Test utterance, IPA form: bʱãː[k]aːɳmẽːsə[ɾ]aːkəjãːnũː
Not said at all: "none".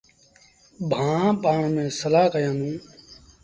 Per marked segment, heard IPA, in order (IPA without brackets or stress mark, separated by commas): p, l